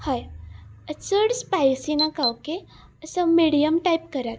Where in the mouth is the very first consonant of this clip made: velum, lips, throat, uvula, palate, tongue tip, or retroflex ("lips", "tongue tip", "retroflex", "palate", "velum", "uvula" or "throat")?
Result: throat